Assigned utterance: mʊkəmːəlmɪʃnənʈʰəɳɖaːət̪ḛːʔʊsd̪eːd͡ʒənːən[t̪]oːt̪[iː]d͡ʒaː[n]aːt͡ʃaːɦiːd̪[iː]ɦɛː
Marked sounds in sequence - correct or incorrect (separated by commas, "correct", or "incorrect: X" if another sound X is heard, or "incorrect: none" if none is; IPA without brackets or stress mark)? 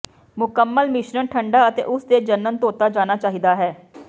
correct, incorrect: aː, correct, incorrect: aː